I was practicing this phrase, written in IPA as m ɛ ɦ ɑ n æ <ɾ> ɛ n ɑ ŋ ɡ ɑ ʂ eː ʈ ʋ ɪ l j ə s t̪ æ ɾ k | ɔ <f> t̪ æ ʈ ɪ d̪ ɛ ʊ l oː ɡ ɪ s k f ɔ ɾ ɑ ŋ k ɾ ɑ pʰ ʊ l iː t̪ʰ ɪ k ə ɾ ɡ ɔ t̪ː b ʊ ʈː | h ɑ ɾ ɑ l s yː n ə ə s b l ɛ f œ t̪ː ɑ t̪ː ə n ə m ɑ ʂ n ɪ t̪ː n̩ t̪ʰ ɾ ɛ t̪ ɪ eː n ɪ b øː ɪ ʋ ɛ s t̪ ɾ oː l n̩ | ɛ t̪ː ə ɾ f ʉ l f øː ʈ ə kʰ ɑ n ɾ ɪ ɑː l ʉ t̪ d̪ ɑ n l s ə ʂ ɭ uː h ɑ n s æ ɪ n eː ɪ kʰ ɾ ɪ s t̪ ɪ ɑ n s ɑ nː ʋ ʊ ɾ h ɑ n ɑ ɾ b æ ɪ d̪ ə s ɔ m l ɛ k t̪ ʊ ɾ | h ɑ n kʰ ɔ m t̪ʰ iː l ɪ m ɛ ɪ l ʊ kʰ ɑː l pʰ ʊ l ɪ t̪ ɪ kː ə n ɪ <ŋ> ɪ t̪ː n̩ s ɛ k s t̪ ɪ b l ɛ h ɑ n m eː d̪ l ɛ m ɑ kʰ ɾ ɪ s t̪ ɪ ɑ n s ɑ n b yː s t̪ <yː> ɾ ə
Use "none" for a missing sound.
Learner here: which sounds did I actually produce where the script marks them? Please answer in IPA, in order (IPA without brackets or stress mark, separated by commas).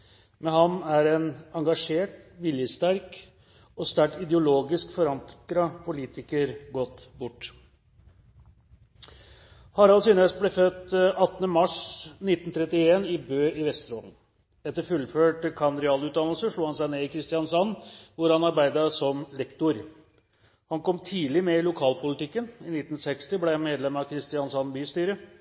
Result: ɾ, s, n, yː